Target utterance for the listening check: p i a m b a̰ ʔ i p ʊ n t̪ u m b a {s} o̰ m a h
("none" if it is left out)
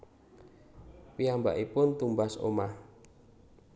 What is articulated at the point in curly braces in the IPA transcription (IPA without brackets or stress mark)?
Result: s